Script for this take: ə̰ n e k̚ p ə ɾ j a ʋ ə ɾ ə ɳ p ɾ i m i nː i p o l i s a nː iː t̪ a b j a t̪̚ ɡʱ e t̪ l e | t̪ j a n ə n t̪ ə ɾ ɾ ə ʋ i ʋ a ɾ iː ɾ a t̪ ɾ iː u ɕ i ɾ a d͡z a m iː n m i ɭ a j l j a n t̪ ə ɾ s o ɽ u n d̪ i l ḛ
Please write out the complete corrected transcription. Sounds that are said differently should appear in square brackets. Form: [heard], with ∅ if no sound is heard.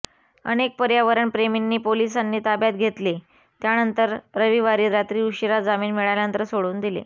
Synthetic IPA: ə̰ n e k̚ p ə ɾ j a ʋ ə ɾ ə ɳ p ɾ [e] m i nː [iː] p o l i s a nː iː t̪ a b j a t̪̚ ɡʱ e t̪ l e | t̪ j a n ə n t̪ ə ɾ ɾ ə ʋ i ʋ a ɾ iː ɾ a t̪ ɾ iː u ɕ i ɾ a d͡z a m iː n m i ɭ a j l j a n t̪ ə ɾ s o ɽ [uː] n d̪ i l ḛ